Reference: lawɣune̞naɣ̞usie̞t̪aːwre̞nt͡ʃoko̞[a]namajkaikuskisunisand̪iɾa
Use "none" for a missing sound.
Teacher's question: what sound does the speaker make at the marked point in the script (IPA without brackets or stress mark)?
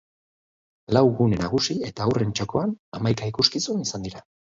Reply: a